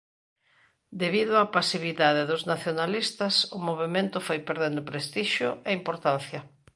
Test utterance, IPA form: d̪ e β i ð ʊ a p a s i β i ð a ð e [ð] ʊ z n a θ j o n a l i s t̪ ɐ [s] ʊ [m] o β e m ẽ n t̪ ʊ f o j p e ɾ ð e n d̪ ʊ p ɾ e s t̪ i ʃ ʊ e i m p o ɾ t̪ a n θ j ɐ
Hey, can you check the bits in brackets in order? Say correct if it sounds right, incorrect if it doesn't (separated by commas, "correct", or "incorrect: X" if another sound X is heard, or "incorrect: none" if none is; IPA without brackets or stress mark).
correct, correct, correct